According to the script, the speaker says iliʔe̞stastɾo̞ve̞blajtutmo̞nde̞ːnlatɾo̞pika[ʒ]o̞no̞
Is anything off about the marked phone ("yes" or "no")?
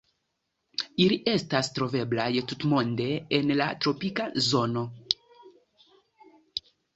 yes